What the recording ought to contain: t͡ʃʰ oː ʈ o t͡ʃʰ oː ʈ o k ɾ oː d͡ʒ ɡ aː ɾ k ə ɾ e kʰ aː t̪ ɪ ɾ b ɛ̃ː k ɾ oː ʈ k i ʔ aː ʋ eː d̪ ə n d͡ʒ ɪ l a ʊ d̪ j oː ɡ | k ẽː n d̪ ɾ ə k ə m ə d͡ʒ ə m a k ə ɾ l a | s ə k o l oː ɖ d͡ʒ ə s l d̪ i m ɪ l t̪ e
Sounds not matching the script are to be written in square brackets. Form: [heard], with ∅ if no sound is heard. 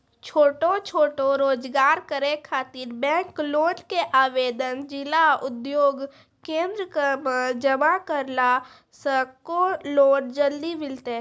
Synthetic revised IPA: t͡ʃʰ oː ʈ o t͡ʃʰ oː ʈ o [∅] ɾ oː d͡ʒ ɡ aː ɾ k ə ɾ e kʰ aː t̪ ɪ ɾ b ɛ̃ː k [l] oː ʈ k [e] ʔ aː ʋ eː d̪ ə n d͡ʒ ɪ l a ʊ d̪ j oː ɡ | k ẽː n d̪ ɾ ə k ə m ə d͡ʒ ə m a k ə ɾ l a | s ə k o l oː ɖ d͡ʒ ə [∅] l d̪ i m ɪ l t̪ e